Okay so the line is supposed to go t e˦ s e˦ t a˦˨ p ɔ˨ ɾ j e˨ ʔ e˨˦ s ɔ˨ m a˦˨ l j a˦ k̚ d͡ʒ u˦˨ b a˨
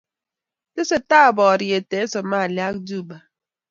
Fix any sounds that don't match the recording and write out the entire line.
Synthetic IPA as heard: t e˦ s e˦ t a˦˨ b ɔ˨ ɾ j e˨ t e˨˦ s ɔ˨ m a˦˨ l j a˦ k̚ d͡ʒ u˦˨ b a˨